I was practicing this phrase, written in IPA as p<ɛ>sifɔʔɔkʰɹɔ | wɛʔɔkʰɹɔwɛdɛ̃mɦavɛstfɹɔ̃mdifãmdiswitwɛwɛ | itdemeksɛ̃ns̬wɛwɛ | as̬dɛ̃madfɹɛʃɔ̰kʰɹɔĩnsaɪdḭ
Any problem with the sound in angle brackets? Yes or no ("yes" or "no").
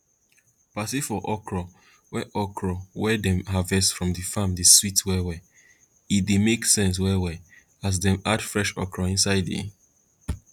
yes